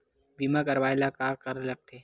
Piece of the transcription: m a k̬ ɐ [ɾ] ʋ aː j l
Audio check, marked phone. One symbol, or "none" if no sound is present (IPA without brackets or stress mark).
ɾ